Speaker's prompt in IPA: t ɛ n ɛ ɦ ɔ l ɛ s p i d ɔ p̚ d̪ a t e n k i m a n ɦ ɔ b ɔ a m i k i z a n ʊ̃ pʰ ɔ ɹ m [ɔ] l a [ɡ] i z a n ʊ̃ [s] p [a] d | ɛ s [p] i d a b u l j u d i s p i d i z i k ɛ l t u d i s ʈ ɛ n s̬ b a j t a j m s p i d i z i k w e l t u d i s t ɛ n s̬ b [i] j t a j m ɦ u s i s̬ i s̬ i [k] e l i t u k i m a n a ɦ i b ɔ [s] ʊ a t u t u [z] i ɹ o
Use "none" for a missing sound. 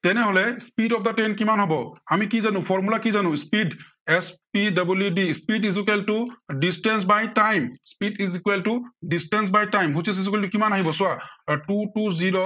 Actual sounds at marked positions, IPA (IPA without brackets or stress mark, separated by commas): u, k, s, i, p, a, k, s, z